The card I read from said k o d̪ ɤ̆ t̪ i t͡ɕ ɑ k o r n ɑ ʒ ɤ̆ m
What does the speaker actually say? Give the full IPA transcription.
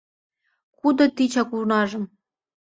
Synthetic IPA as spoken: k u d̪ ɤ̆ t̪ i t͡ɕ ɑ k u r n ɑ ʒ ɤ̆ m